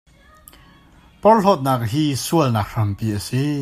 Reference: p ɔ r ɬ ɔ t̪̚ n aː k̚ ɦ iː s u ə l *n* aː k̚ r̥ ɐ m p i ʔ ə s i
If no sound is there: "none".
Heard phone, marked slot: n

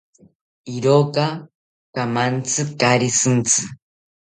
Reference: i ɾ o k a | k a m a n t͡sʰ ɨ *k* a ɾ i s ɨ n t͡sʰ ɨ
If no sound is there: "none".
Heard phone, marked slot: k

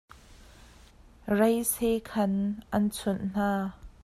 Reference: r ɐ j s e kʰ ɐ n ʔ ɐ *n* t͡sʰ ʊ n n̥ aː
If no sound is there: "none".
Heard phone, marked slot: n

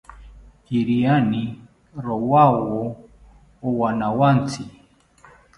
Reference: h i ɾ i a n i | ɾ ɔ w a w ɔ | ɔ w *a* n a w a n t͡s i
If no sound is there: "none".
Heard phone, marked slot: a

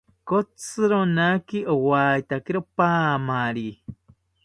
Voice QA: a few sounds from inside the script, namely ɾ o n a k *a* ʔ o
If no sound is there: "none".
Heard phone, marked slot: i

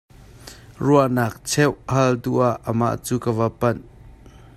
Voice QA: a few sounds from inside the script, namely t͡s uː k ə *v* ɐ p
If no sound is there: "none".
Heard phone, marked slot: v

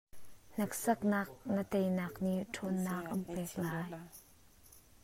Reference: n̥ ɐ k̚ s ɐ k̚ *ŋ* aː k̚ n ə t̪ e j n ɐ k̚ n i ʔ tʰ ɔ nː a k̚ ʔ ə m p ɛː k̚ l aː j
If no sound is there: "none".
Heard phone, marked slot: n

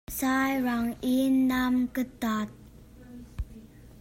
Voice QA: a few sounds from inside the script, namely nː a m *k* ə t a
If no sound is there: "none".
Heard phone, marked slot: k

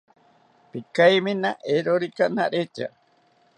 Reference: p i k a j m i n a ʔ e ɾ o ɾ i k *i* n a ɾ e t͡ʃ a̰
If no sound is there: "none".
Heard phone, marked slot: a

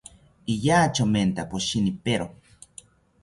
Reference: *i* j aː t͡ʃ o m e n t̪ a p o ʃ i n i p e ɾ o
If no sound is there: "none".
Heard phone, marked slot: i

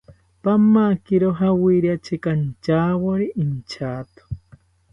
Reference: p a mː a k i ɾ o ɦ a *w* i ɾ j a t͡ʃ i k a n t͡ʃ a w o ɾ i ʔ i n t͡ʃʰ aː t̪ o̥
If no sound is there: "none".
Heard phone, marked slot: w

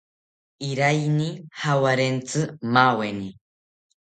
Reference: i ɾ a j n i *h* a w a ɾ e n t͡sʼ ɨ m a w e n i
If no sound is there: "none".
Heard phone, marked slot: h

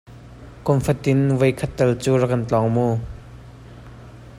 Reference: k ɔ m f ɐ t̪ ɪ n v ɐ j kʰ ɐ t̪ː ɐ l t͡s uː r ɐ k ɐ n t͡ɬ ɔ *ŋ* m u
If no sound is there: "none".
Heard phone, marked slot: ŋ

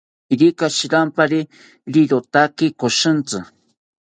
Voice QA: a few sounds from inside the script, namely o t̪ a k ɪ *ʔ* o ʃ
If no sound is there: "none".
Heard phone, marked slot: k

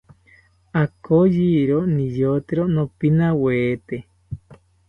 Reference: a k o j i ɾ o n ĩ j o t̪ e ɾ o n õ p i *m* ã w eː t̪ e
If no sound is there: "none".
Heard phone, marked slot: n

